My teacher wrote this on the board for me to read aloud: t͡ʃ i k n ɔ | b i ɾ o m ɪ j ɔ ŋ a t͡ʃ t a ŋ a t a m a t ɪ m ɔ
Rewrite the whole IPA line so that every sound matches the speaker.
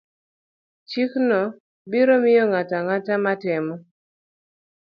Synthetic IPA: t͡ʃ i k n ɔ | b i ɾ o m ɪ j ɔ ŋ a t a ŋ a t a m a t ɪ m ɔ